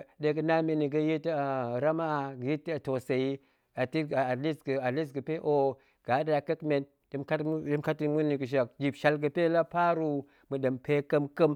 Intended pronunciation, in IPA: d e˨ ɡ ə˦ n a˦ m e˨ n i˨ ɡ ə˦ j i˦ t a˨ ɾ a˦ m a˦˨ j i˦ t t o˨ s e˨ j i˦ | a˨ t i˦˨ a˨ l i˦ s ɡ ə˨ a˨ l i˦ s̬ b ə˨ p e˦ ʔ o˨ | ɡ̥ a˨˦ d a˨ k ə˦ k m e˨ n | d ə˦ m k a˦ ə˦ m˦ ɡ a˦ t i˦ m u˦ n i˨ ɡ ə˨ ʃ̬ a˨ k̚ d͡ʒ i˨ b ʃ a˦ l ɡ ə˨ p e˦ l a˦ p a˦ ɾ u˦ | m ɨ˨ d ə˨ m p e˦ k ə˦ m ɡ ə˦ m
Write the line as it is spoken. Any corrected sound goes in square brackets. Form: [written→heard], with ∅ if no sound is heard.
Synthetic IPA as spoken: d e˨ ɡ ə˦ n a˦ m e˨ n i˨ ɡ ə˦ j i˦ t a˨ ɾ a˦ m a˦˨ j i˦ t t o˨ s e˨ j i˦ | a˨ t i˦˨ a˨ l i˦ s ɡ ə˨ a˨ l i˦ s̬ [b→ɡ] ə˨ p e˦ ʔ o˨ | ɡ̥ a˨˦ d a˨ k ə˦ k m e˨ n | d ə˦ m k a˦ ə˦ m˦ [ɡ→k] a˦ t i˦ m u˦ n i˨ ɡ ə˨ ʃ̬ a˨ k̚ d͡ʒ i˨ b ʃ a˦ l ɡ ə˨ p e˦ l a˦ p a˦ ɾ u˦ | m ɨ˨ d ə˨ m p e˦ k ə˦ m [ɡ→k] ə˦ m